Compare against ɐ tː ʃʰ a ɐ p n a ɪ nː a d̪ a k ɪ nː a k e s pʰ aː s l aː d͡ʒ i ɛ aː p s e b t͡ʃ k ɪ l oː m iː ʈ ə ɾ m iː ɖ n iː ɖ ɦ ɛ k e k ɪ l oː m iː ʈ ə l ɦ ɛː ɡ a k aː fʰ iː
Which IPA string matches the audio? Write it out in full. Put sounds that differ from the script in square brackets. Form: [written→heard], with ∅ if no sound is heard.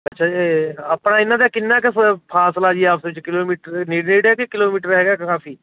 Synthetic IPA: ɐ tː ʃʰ a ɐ p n a ɪ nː a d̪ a k ɪ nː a k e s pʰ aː s l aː d͡ʒ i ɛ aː p s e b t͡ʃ k ɪ l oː m iː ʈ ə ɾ [m→n] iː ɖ n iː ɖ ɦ ɛ k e k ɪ l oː m iː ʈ ə [l→ɾ] ɦ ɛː ɡ a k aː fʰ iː